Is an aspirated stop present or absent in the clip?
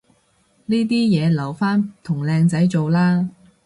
present